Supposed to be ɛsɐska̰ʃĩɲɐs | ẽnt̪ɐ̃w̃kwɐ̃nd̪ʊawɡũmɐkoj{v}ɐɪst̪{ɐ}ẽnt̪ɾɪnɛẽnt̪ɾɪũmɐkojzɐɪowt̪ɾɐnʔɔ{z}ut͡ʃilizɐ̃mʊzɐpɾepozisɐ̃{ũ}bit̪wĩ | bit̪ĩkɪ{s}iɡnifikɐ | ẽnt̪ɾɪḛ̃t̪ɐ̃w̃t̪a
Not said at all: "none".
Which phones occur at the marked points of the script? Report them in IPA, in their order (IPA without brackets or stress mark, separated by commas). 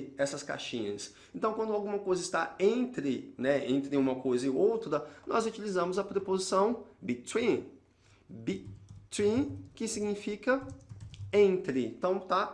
z, a, z, w̃, s